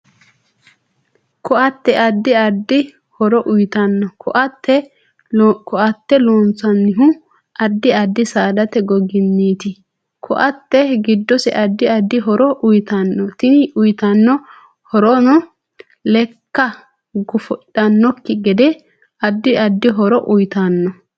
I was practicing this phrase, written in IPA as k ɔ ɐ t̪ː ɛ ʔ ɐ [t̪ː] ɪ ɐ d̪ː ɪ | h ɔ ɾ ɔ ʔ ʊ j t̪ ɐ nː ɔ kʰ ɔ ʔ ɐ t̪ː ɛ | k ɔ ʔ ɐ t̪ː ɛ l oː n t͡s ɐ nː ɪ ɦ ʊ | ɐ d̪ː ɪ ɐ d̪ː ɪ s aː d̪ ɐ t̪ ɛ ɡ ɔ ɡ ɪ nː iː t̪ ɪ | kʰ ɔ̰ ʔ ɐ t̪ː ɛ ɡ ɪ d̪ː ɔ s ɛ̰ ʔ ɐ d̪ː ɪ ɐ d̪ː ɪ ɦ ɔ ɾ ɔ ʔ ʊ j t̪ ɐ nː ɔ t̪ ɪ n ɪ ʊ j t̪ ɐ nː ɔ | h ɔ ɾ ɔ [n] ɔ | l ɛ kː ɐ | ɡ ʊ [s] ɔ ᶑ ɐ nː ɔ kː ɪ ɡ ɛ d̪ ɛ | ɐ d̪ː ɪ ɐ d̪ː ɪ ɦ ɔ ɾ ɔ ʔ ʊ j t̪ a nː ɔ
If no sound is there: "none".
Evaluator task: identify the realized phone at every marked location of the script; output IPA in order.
d̪ː, n, f

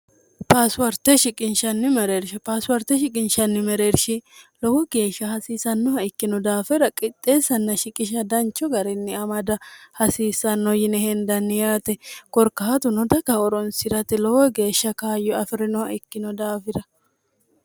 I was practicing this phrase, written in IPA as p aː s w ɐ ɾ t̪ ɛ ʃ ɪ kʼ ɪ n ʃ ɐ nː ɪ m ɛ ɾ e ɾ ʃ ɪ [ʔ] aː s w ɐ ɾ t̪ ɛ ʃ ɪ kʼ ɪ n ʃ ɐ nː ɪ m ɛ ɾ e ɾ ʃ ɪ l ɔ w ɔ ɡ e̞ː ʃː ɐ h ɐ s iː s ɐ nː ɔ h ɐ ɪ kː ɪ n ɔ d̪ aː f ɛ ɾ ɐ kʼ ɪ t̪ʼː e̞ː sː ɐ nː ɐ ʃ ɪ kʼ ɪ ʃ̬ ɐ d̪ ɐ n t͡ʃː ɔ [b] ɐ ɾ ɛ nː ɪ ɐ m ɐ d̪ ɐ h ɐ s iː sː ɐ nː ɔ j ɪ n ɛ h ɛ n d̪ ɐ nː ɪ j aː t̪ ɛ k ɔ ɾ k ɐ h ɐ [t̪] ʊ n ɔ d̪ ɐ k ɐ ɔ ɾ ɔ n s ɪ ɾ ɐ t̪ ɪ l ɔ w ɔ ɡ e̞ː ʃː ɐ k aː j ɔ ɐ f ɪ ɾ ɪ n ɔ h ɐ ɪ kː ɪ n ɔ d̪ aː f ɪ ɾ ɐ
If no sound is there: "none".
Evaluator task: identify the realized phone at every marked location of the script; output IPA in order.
p, ɡ, t̪

